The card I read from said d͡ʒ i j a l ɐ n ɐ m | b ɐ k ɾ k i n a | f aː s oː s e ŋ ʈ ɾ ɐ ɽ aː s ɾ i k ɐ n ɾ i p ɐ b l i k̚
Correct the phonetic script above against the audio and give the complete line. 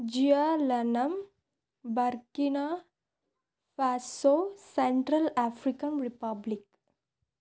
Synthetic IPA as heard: d͡ʒ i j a l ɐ n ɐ m | b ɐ ɾ k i n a | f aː s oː s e ɳ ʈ ɾ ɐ l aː f ɾ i k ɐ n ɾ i p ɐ b l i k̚